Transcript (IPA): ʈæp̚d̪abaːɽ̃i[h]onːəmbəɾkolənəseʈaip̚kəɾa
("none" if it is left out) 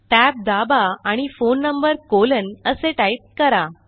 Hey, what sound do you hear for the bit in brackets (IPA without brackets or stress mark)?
f